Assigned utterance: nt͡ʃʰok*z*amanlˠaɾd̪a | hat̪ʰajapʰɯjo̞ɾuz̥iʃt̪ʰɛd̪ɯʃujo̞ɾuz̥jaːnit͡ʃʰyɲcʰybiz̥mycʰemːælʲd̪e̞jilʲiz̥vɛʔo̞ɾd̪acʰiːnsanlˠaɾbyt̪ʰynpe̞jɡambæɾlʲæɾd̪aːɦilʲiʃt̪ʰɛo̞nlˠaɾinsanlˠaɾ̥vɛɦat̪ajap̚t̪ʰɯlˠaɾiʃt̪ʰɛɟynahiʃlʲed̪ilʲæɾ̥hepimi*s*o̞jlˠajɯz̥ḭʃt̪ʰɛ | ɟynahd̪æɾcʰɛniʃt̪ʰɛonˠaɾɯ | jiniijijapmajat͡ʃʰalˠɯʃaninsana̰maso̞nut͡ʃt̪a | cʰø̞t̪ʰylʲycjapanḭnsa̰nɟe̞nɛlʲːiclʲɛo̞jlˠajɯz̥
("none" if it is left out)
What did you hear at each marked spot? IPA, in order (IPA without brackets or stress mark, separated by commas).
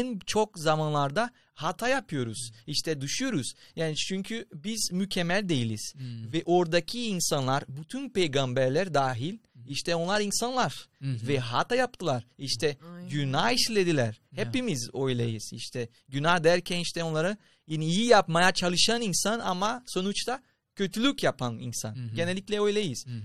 z, z